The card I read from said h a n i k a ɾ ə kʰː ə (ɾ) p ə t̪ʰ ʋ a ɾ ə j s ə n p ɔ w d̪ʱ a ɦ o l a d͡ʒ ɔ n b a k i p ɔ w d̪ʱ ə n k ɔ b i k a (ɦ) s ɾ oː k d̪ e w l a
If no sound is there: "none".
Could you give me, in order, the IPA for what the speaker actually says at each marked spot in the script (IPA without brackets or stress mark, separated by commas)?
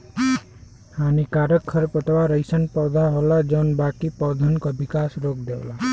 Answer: ɾ, none